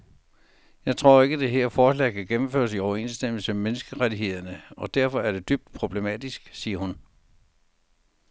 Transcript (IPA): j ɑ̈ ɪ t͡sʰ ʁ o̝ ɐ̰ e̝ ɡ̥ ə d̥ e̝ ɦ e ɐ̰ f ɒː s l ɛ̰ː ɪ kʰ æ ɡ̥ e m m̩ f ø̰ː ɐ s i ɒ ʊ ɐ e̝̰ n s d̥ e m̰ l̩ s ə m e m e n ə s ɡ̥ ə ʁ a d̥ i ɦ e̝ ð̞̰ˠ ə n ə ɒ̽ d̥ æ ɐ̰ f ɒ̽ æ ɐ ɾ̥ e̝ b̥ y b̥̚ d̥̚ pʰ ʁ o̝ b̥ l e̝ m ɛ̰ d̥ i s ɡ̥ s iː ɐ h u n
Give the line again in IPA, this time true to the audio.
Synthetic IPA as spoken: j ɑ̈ ɪ t͡sʰ ʁ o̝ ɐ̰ e̝ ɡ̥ ə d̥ e̝ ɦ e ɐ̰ f ɒː s l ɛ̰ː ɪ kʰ æ ɡ̥ e m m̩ f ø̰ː ɐ s i ɒ ʊ ɐ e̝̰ n s d̥ e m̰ l̩ s ə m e m e n ə s ɡ̥ ə ʁ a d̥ i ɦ e̝ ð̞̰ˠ ɐ n ə ɒ̽ d̥ æ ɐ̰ f ɒ̽ æ ɐ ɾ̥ e̝ d̥ y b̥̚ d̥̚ pʰ ʁ o̝ b̥ l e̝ m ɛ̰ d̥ i s ɡ̥ s iː ɐ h u n